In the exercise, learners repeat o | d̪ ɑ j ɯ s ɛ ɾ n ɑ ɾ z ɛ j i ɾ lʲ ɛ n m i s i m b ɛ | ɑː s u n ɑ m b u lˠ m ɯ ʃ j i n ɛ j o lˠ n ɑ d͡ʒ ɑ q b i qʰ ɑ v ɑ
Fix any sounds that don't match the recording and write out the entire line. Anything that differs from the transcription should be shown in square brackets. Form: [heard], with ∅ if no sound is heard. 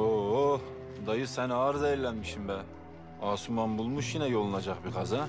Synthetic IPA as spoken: o | d̪ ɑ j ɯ s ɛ [∅] n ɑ ɾ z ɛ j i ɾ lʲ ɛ n m i [ʃ] i m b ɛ | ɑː s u [m] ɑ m b u lˠ m [u] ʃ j i n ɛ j o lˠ n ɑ d͡ʒ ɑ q b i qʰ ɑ [z] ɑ